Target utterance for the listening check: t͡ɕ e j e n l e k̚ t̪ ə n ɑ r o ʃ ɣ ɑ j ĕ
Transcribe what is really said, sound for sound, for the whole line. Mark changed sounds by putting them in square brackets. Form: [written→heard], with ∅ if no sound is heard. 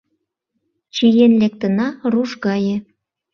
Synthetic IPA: t͡ɕ [e→i] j e n l e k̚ t̪ ə n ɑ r [o→u] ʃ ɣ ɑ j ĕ